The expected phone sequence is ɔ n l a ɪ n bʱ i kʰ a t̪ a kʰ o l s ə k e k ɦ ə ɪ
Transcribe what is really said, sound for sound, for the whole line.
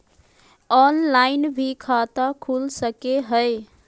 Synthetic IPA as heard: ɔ n l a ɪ n bʱ i kʰ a t̪ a kʰ u l s ə k e ɦ ə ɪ